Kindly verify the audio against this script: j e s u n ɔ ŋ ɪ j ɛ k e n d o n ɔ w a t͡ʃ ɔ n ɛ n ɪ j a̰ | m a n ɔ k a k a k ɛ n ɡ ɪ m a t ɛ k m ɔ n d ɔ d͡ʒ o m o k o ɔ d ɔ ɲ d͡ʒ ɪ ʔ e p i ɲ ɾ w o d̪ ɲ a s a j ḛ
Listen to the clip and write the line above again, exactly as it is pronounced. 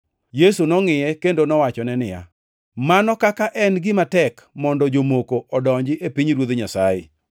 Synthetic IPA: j e s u n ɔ ŋ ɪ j ɛ k e n d o n ɔ w a t͡ʃ ɔ n ɛ n ɪ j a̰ | m a n ɔ k a k a ʔ ɛ n ɡ ɪ m a t ɛ k m ɔ n d ɔ d͡ʒ o m o k o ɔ d ɔ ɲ d͡ʒ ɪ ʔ e p i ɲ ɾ w o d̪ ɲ a s a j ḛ